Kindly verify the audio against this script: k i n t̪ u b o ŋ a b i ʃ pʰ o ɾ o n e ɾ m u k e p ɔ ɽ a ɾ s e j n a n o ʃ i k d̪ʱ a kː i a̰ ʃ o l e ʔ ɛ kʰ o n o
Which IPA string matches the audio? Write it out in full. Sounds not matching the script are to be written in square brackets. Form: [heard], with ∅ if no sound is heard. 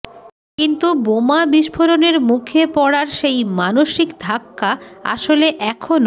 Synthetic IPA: k i n t̪ u b o [m] a b i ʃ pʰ o ɾ o n e ɾ m u [kʰ] e p ɔ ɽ a ɾ [ʃ] e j [m] a n o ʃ i k d̪ʱ a kː [a] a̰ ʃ o l e ʔ ɛ kʰ o n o